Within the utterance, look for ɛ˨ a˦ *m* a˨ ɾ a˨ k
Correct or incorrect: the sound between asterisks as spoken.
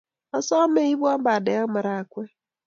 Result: correct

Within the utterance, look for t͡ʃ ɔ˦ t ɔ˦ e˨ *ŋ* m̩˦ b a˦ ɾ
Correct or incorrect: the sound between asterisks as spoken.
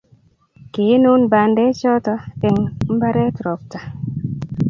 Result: correct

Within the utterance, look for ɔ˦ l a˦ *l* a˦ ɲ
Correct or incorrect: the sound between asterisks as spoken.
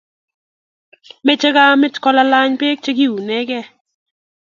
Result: correct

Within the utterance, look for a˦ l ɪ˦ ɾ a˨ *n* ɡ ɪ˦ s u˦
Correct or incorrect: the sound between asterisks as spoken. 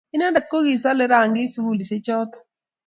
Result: incorrect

